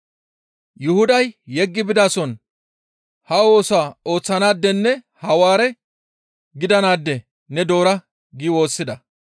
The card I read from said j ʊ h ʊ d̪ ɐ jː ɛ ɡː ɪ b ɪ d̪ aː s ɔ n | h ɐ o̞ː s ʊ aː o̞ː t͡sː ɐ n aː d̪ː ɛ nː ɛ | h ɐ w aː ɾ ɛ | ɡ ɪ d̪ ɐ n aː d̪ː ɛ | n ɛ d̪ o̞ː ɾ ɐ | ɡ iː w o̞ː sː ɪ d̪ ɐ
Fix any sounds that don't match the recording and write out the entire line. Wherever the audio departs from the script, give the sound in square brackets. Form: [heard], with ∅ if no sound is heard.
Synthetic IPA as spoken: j ʊ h ʊ d̪ ɐ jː ɛ ɡː ɪ b ɪ d̪ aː s ɔ n | h ɐ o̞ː s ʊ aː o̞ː t͡sː ɐ n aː d̪ː ɛ nː ɛ | h ɐ w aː ɾ ɛ | ɡ ɪ d̪ ɐ n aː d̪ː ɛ | n ɛ d̪ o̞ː ɾ ɐ | ɡ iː w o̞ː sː ɪ d̪ ɐ